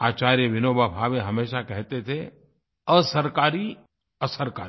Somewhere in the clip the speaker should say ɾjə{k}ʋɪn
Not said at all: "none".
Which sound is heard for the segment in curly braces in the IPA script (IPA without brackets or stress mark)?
none